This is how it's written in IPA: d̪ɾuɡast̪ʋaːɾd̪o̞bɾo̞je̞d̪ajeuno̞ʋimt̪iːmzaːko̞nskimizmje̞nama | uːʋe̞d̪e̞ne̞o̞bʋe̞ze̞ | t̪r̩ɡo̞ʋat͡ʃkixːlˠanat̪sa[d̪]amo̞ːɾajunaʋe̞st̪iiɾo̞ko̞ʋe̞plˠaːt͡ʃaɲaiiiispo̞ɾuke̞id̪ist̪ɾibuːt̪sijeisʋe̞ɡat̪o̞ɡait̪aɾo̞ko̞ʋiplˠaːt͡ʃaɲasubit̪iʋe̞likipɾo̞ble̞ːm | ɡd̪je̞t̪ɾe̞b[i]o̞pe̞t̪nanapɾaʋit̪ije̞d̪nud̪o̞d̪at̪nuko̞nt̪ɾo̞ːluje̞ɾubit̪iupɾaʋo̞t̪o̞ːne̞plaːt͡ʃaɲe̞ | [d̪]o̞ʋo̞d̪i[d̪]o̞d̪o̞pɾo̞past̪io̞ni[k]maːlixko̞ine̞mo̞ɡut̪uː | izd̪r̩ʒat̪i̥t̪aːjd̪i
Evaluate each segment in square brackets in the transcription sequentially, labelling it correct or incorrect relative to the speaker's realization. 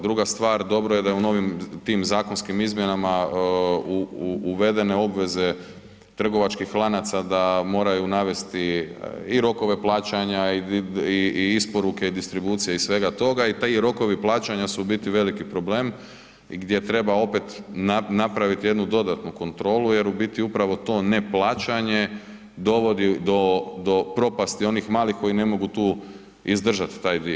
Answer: correct, incorrect: a, correct, correct, incorrect: x

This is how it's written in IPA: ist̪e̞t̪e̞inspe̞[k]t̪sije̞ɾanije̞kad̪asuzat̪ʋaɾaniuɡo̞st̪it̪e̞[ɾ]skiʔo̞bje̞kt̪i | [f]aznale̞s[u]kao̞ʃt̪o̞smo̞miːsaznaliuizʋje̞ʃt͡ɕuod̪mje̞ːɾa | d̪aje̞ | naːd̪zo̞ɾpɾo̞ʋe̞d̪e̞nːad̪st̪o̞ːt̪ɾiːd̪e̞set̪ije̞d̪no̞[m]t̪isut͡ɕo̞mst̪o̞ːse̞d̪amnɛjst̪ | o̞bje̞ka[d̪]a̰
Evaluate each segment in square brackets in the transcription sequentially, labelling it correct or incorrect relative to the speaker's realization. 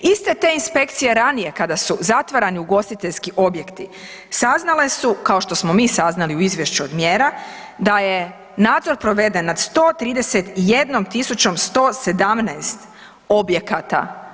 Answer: correct, incorrect: ʎ, incorrect: s, correct, correct, incorrect: t̪

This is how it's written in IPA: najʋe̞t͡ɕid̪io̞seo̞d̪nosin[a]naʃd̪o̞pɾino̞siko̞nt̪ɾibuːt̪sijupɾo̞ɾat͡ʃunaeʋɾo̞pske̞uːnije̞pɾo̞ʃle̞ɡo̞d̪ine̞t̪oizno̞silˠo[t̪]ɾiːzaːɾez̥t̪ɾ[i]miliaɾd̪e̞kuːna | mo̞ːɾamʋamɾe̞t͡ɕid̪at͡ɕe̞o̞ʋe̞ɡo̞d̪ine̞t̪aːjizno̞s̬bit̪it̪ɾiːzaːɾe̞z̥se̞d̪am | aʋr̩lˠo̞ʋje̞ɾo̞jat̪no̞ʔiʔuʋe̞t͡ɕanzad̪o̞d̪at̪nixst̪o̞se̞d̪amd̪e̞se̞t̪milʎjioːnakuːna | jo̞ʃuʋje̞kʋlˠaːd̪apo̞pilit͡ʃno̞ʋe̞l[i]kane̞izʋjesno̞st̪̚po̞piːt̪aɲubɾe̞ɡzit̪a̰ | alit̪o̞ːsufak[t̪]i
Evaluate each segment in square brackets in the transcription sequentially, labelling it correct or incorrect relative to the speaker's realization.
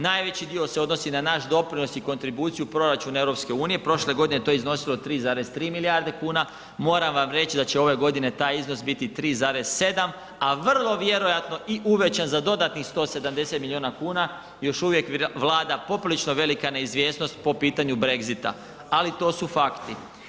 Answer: correct, correct, incorrect: iː, correct, correct

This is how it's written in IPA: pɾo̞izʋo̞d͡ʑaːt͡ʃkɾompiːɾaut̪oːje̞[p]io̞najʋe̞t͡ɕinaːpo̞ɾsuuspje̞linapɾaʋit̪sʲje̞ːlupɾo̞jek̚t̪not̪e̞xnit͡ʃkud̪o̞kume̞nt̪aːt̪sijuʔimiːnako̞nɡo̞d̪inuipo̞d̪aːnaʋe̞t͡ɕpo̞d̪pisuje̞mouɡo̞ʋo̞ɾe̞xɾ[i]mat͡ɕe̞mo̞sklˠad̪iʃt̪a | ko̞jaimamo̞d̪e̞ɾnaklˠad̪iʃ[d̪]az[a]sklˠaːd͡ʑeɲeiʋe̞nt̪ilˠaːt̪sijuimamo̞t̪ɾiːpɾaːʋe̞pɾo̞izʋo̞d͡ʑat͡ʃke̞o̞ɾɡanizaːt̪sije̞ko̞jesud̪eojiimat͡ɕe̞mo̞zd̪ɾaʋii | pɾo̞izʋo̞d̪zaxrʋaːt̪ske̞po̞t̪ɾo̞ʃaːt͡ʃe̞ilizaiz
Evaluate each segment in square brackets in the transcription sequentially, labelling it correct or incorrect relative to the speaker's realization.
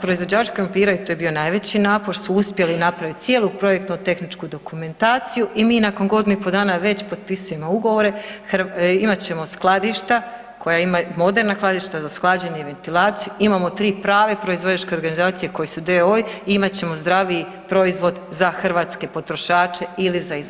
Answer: incorrect: b, correct, incorrect: t̪, correct

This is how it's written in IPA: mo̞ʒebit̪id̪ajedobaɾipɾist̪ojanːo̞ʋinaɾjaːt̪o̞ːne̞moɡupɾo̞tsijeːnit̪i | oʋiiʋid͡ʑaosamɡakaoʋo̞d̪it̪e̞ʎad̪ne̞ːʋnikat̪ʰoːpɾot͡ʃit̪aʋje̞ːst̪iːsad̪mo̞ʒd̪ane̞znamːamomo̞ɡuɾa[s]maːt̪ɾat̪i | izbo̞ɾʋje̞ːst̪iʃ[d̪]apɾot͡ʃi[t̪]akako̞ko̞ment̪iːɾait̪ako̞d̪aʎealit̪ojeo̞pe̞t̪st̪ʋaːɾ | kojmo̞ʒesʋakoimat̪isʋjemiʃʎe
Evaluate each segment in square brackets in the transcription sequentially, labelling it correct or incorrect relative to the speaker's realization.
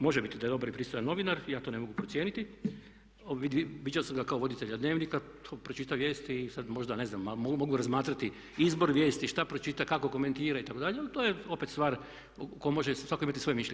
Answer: incorrect: z, incorrect: t̪, correct

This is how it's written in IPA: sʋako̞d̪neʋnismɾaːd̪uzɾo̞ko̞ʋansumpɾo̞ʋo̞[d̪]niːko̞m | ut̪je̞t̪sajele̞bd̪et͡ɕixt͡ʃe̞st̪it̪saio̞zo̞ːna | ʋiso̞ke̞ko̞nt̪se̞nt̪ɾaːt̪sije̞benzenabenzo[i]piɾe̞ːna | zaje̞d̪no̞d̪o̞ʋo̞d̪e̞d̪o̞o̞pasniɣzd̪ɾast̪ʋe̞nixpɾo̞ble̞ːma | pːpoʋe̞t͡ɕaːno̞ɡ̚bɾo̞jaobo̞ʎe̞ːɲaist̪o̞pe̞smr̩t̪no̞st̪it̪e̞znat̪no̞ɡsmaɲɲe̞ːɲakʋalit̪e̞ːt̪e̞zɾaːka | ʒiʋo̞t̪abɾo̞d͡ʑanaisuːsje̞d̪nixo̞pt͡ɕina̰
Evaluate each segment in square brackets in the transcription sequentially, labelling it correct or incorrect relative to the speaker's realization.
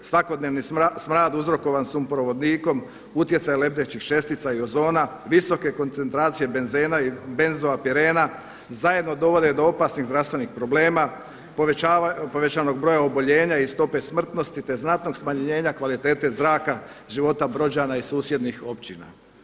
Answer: correct, incorrect: a

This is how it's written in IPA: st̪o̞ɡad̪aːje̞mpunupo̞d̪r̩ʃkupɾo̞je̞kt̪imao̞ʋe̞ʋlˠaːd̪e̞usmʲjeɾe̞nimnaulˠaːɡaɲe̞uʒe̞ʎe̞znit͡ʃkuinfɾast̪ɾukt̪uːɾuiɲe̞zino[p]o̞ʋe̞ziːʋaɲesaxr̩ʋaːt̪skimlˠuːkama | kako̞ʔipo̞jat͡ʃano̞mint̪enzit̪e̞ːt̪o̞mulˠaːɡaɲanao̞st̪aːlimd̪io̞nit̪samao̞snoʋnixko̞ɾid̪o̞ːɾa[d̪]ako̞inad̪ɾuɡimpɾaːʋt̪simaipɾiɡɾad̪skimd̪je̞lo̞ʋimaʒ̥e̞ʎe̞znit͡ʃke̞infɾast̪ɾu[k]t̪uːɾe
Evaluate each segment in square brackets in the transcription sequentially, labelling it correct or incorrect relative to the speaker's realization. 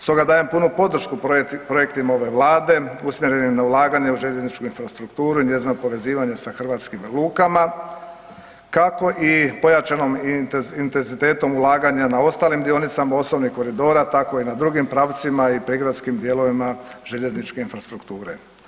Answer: correct, incorrect: t̪, correct

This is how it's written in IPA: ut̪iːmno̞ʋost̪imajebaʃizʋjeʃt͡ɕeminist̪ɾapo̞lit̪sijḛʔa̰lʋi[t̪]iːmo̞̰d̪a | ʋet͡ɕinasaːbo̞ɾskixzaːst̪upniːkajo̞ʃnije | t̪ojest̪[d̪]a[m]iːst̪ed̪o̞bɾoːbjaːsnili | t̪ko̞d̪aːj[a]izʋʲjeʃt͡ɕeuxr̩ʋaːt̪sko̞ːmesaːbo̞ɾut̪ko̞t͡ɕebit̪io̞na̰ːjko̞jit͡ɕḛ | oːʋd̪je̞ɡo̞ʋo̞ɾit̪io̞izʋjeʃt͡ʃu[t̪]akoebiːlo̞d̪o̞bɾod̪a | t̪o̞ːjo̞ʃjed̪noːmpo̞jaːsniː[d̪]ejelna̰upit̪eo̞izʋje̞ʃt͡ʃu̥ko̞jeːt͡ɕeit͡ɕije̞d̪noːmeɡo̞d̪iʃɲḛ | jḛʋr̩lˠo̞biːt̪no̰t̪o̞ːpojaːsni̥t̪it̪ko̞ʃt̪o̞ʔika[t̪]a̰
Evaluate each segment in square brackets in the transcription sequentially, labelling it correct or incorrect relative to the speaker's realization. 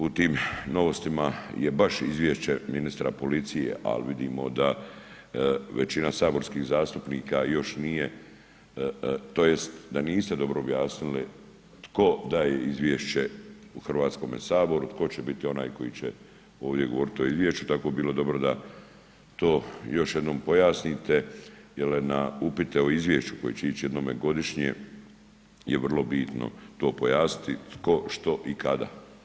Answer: incorrect: d̪, correct, incorrect: n, incorrect: e, correct, incorrect: t̪, incorrect: d̪

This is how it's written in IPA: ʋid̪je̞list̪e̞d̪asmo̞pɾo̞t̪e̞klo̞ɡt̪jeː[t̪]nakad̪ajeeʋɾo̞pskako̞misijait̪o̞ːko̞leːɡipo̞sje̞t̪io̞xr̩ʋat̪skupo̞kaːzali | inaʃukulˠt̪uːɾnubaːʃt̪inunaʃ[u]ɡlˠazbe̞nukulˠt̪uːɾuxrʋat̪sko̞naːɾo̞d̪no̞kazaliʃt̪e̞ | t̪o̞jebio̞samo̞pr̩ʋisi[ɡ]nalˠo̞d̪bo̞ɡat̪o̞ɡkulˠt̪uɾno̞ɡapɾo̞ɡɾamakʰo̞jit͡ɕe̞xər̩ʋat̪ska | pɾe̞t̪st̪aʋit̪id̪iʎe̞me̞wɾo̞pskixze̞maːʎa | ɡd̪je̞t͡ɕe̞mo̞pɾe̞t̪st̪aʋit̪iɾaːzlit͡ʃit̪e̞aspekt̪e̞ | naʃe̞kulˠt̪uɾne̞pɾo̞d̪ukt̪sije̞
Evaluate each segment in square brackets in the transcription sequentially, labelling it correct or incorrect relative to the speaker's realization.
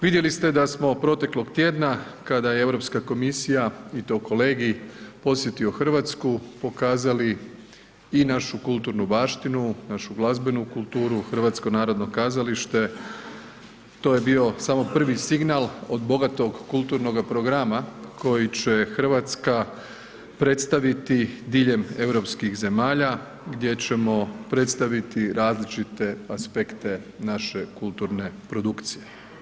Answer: incorrect: d̪, correct, correct

